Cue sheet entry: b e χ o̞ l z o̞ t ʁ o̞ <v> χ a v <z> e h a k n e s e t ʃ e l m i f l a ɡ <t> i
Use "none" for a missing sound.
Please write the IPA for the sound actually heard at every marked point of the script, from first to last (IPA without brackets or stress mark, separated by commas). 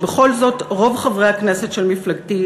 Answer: v, ʁ, t